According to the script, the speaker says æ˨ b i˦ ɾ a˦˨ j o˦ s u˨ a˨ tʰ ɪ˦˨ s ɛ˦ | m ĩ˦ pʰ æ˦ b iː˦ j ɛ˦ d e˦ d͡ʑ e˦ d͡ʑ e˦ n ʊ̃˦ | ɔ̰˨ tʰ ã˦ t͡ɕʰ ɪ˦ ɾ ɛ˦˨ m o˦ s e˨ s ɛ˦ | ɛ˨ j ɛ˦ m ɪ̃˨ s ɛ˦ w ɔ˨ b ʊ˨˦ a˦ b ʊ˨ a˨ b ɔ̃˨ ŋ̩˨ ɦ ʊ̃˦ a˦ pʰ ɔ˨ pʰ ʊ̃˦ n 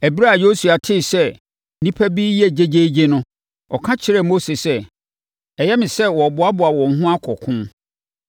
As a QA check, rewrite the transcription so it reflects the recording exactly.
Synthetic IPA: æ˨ b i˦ ɾ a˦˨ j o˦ s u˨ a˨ tʰ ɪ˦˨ s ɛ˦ | n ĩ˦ pʰ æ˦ b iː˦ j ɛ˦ d͡ʑ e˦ d͡ʑ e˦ d͡ʑ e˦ n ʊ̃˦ | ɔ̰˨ kʰ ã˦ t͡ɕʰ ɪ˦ ɾ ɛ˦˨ m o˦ s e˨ s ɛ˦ | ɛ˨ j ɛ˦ m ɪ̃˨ s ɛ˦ w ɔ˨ b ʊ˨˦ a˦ b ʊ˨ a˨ w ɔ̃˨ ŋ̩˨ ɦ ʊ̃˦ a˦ kʰ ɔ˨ kʰ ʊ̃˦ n